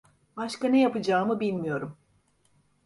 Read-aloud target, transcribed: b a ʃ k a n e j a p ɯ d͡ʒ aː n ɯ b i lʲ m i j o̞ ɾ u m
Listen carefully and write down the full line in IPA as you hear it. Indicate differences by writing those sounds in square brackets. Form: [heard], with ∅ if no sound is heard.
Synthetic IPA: b a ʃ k a n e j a p ɯ d͡ʒ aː [m] ɯ b i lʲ m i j o̞ ɾ u m